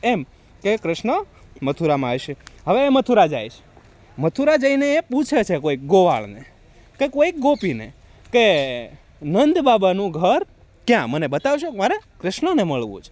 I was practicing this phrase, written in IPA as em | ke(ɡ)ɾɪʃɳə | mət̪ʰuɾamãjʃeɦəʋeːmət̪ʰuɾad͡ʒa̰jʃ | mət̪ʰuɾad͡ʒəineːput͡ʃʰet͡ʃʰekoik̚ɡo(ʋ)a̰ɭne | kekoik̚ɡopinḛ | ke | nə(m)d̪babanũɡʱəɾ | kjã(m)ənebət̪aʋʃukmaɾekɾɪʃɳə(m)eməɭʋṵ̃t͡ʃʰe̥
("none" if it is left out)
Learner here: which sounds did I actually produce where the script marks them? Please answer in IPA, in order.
k, ʋ, n, m, n

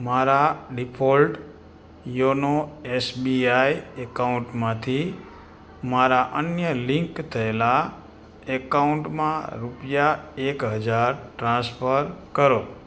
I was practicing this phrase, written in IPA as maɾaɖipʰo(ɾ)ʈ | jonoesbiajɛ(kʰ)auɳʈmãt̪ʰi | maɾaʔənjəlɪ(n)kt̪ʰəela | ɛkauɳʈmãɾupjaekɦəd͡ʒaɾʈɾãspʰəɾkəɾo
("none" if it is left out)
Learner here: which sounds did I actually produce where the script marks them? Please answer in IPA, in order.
l, k, ŋ

